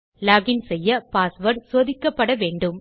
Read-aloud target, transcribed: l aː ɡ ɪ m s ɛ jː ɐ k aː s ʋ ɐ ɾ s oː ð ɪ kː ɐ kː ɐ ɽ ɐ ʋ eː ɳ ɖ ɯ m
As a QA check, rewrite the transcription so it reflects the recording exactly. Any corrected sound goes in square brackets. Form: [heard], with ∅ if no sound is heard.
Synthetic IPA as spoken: l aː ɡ ɪ [n] s ɛ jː ɐ [p] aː s ʋ ɐ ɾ s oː ð ɪ kː ɐ [pː] ɐ ɽ ɐ ʋ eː ɳ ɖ ɯ m